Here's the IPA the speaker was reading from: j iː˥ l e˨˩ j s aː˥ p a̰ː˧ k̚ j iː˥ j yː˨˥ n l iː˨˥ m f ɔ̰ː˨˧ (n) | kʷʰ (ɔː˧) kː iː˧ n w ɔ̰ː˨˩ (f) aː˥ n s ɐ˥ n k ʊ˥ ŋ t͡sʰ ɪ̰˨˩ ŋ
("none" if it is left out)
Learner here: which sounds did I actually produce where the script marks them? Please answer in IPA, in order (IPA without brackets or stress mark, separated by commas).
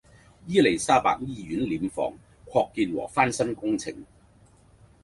ŋ, ɔː˧, f